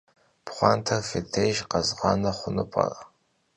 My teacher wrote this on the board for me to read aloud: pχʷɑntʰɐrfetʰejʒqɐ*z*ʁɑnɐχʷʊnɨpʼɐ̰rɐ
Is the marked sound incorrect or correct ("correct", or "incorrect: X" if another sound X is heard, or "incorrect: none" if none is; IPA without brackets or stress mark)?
correct